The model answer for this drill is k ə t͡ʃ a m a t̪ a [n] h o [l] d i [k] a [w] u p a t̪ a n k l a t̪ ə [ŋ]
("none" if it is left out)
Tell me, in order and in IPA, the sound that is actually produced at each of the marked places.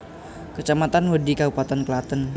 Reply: n, none, k, b, n

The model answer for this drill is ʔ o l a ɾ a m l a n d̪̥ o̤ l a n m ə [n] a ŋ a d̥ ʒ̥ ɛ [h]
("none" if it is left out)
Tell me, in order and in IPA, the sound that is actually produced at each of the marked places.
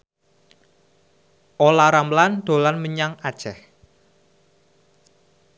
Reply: ɲ, h

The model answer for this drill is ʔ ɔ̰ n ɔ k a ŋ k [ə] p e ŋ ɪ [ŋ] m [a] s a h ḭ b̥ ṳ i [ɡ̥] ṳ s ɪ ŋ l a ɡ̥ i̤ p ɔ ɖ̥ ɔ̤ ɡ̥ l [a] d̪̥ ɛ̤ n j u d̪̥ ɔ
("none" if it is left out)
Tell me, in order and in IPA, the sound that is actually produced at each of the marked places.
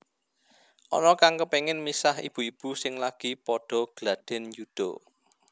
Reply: ə, n, i, b̥, a

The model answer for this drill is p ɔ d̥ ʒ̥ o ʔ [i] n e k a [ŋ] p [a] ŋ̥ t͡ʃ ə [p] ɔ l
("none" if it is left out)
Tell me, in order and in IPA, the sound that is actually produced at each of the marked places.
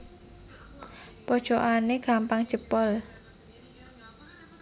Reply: a, m, a, p

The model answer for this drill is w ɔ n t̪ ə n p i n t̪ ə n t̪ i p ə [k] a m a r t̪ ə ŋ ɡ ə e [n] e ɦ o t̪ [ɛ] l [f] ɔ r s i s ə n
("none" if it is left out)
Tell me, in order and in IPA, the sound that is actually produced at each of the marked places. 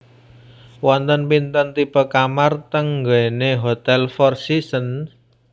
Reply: k, n, ɛ, f

